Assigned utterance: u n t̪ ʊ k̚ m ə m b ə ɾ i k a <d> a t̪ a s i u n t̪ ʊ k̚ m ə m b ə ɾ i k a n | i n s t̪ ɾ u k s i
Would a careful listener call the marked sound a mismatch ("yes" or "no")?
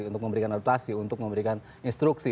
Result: yes